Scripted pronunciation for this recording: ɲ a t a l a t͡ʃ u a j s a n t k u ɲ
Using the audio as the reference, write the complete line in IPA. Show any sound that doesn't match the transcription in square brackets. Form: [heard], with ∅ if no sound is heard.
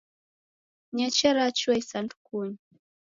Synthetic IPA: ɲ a [t͡ʃ] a [ɾ] a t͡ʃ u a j s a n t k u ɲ